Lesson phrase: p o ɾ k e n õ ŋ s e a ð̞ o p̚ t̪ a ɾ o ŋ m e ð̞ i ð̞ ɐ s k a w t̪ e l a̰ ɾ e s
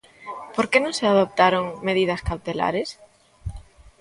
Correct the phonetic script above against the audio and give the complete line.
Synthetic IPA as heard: p o ɾ k e n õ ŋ s e a ð̞ o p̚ t̪ a ɾ o ŋ m e ð̞ i ð̞ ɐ s k a w t̪ e l a̰ ɾ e s